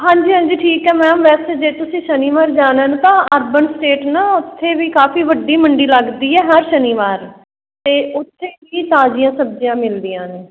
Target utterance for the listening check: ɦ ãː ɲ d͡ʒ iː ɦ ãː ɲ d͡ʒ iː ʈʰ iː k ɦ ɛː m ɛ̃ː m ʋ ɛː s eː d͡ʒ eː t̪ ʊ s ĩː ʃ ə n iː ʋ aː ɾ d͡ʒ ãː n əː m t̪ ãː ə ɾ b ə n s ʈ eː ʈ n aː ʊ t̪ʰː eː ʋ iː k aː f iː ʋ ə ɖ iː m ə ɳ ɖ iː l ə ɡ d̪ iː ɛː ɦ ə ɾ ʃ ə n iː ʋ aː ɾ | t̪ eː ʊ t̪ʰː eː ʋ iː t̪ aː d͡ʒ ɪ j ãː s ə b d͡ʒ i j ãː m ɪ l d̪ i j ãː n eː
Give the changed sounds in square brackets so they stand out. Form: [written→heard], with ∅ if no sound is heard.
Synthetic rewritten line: ɦ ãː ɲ d͡ʒ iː ɦ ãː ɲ d͡ʒ iː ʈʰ iː k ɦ ɛː m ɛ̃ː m ʋ ɛː s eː d͡ʒ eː t̪ ʊ s ĩː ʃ ə n iː ʋ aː ɾ d͡ʒ [ãː→aː] n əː [m→n] t̪ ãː ə ɾ b ə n s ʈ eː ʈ n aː ʊ t̪ʰː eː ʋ iː k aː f iː ʋ ə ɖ iː m ə ɳ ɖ iː l ə ɡ d̪ iː ɛː ɦ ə ɾ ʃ ə n iː ʋ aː ɾ | t̪ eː ʊ t̪ʰː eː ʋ iː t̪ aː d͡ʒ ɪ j ãː s ə b d͡ʒ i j ãː m ɪ l d̪ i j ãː n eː

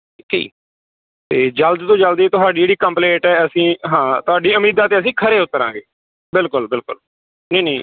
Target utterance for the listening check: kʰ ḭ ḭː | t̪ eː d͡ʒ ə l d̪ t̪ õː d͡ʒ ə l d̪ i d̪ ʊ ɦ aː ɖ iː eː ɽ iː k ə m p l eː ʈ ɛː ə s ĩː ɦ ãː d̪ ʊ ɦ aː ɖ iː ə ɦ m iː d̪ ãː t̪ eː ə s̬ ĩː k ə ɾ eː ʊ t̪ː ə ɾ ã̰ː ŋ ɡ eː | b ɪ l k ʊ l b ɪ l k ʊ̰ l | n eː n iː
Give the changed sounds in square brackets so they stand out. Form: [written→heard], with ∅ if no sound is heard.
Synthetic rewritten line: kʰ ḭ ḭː | t̪ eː d͡ʒ ə l d̪ t̪ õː d͡ʒ ə l d̪ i [d̪→t̪] ʊ ɦ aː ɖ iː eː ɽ iː k ə m p l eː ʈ ɛː ə s ĩː ɦ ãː [d̪→t̪] ʊ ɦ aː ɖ iː ə [ɦ→∅] m iː d̪ [ãː→aː] t̪ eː ə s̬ ĩː [k→kʰ] ə ɾ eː ʊ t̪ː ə ɾ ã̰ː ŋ ɡ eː | b ɪ l k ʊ l b ɪ l k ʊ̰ l | n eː n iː

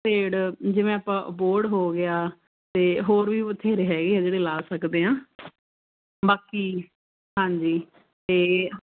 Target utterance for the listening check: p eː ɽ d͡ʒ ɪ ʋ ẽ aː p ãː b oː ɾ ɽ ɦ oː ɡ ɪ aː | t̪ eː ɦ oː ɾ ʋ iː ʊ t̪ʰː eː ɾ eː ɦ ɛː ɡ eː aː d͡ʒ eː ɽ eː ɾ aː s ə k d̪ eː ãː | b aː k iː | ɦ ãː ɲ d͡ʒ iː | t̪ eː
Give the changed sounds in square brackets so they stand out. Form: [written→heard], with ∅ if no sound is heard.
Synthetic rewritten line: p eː ɽ d͡ʒ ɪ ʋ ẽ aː p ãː b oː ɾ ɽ ɦ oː ɡ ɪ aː | t̪ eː ɦ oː ɾ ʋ iː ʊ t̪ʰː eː ɾ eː ɦ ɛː ɡ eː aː d͡ʒ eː ɽ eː [ɾ→l] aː s ə k d̪ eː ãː | b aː k iː | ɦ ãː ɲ d͡ʒ iː | t̪ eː

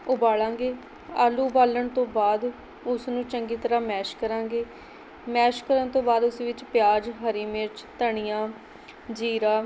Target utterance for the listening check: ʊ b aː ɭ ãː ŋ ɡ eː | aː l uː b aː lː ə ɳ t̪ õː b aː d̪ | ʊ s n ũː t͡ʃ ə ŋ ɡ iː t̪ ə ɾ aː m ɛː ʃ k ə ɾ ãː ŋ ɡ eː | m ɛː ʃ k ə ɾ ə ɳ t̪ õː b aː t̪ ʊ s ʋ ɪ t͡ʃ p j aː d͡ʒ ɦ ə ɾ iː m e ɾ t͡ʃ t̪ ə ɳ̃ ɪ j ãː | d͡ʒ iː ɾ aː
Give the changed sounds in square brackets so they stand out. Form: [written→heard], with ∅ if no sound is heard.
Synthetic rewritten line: ʊ b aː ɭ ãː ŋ ɡ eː | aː l uː b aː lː ə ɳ t̪ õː b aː d̪ | ʊ s n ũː t͡ʃ ə ŋ ɡ iː t̪ ə ɾ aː m ɛː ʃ k ə ɾ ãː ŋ ɡ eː | m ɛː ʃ k ə ɾ ə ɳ t̪ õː b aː [t̪→d̪] ʊ s ʋ ɪ t͡ʃ p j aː d͡ʒ ɦ ə ɾ iː m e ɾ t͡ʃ t̪ ə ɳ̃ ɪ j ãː | d͡ʒ iː ɾ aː

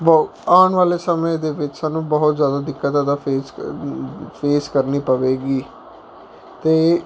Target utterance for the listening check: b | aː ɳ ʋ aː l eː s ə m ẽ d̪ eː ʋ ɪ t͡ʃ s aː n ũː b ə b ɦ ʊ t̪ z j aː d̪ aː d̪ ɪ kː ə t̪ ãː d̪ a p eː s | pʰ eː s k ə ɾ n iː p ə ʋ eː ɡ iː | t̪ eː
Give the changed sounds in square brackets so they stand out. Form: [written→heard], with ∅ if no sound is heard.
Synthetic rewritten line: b | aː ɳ ʋ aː l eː s ə m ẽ d̪ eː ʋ ɪ t͡ʃ s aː n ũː b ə [b→∅] ɦ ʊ t̪ z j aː d̪ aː d̪ ɪ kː ə t̪ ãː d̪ a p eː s | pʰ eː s k ə ɾ n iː p ə ʋ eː ɡ iː | t̪ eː

